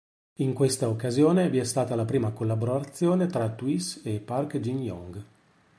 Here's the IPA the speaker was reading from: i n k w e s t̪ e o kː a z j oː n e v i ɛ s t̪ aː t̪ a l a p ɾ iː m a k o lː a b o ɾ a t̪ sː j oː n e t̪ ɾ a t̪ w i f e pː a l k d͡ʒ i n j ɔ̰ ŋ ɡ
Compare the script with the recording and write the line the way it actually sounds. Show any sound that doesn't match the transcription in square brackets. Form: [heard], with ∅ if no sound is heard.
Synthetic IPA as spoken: i [ŋ] k w e s t̪ [a] o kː a z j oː n e v i ɛ s t̪ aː t̪ a l a p ɾ iː m a k o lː a b o ɾ a t̪ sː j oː n e t̪ ɾ a t̪ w i [s] e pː a [r] k d͡ʒ i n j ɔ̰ ŋ ɡ